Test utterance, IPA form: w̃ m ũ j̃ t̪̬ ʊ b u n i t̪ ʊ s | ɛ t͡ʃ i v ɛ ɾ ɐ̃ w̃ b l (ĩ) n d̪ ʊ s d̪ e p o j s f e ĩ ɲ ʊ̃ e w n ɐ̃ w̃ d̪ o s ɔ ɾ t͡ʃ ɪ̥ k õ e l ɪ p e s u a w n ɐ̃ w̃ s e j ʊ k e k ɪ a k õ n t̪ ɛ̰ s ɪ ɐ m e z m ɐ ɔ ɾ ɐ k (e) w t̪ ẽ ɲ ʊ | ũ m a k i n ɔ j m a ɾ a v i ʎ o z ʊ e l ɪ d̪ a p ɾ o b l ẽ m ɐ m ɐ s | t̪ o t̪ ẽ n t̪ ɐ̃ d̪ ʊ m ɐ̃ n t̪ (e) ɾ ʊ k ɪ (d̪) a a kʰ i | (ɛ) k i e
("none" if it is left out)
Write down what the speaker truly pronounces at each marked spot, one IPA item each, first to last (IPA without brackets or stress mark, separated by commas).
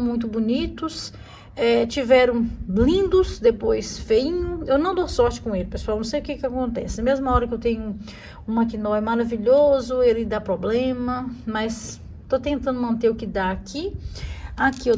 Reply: ĩ, e, e, d̪, a